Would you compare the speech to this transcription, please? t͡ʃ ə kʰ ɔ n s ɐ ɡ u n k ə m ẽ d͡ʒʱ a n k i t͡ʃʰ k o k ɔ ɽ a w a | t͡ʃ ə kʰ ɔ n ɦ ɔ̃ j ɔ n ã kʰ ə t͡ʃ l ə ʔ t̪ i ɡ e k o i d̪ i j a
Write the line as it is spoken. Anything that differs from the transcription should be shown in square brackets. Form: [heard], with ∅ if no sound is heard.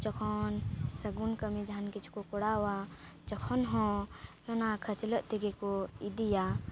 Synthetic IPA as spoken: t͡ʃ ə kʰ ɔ n s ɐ ɡ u n k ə m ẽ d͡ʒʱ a n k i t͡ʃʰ k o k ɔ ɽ a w a | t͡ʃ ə kʰ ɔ n ɦ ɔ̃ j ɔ n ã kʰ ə t͡ʃ l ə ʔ t̪ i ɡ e k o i d̪ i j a